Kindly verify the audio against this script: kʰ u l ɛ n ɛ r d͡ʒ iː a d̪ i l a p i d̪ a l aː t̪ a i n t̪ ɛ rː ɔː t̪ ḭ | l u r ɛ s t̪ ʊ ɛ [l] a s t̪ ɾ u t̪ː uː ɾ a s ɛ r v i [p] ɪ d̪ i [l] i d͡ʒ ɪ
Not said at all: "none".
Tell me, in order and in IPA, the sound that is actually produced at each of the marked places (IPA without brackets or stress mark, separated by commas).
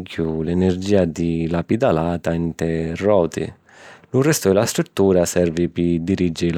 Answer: l, p, ɾ